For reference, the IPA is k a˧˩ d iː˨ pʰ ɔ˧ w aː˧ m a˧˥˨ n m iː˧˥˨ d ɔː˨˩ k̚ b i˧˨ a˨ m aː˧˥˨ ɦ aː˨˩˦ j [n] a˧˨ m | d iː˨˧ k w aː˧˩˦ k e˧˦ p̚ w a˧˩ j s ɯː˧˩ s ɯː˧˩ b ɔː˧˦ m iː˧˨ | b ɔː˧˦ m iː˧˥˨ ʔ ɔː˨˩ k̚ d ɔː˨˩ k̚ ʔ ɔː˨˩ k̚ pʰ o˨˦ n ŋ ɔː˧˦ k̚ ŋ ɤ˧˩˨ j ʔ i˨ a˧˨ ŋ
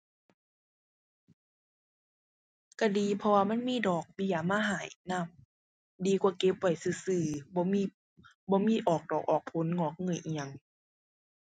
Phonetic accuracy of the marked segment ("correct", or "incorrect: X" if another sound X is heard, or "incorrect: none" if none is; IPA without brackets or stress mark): correct